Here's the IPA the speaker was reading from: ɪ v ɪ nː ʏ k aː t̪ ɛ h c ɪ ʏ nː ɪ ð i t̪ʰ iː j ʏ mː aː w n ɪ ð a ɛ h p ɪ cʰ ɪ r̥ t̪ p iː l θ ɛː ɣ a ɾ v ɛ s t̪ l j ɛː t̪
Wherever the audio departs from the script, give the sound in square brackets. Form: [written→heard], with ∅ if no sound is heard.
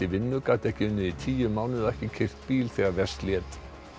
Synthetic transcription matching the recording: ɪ v ɪ nː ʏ k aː t̪ ɛ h c ɪ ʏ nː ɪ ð i t̪ʰ iː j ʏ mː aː w n ɪ ð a ɛ h [p→c] ɪ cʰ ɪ r̥ t̪ p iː l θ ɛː ɣ a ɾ v ɛ s t̪ l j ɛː t̪